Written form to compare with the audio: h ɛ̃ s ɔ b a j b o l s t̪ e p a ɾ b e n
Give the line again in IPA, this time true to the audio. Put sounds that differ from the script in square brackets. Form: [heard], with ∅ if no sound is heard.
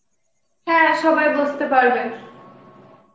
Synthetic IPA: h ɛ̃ [ʃ] ɔ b a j b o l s t̪ e p a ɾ b e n